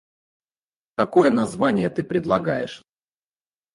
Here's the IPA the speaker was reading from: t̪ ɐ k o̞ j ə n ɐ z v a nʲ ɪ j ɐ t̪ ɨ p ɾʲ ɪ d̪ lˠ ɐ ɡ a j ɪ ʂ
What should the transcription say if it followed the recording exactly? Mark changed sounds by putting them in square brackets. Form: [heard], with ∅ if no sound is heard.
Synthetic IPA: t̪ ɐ k o̞ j ə n ɐ z v a nʲ ɪ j [ə] t̪ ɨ p ɾʲ ɪ d̪ lˠ ɐ ɡ a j ɪ ʂ